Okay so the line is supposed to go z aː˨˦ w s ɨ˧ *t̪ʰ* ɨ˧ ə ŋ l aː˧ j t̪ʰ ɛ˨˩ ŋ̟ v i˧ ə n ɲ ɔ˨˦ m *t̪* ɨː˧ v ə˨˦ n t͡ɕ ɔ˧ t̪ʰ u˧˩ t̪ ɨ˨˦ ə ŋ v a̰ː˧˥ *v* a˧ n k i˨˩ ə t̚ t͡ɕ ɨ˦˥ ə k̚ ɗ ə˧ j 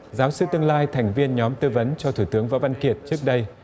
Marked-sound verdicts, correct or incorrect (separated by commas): incorrect, correct, correct